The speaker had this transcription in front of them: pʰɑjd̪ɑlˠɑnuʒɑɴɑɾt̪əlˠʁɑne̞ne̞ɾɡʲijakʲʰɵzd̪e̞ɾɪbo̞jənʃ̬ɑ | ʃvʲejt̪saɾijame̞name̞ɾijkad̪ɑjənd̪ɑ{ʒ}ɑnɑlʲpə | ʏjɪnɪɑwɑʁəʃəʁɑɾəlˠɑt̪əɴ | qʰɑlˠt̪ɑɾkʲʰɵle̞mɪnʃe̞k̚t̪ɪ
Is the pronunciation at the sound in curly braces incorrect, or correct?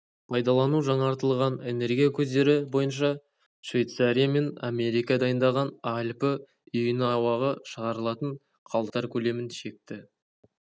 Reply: incorrect